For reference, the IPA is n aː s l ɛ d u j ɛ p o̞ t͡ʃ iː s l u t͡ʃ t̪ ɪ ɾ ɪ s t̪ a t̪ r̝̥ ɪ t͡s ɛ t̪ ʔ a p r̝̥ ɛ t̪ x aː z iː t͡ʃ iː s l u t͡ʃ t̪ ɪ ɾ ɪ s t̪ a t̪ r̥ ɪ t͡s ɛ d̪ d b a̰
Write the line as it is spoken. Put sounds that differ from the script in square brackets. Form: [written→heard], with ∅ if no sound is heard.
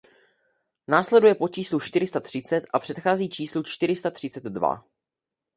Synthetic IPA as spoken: n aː s l ɛ d u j ɛ p o̞ t͡ʃ iː s l u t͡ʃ t̪ ɪ ɾ ɪ s t̪ a t̪ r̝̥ ɪ t͡s ɛ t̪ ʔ a p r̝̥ ɛ t̪ x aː z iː t͡ʃ iː s l u t͡ʃ t̪ ɪ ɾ ɪ s t̪ a t̪ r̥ ɪ t͡s ɛ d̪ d [b→v] a̰